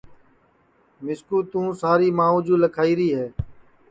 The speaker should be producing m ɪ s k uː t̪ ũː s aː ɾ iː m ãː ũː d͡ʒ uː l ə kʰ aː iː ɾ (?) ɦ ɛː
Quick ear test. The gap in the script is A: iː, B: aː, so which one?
A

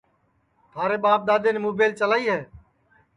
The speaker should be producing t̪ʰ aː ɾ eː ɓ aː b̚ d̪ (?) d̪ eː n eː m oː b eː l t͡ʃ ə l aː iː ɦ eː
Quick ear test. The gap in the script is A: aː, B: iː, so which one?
A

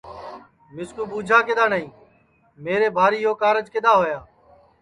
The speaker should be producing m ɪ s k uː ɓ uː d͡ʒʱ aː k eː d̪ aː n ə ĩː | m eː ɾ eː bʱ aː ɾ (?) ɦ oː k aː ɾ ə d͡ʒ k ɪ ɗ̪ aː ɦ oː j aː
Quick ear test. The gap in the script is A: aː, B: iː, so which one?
B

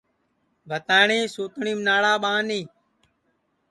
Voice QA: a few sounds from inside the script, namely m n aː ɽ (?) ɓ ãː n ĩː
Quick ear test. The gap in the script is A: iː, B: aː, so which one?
B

